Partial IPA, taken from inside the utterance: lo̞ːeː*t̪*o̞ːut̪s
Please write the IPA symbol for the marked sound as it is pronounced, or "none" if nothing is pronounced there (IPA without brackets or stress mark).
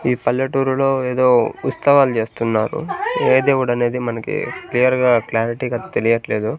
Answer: d̪